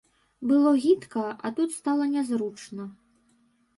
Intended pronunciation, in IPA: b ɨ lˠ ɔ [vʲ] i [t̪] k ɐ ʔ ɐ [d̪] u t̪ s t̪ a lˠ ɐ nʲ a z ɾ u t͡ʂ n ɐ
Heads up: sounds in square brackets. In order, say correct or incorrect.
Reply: incorrect, correct, incorrect

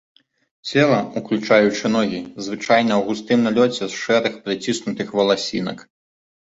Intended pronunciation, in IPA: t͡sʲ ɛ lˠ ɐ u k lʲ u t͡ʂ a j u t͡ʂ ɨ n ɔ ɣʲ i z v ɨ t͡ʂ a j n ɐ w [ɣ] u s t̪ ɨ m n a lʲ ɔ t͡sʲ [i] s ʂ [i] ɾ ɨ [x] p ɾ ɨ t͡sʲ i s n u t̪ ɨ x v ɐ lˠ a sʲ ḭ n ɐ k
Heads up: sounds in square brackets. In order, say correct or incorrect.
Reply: correct, incorrect, incorrect, correct

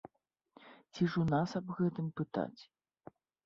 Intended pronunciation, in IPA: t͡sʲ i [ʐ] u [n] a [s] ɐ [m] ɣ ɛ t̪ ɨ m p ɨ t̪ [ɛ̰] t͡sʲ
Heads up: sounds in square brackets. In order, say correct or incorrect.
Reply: correct, correct, correct, incorrect, incorrect

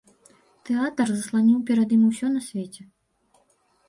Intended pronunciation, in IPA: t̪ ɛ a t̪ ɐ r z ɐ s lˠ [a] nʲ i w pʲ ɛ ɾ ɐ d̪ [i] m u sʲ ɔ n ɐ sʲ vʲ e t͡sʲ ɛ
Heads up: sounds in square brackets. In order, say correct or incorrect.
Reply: correct, correct

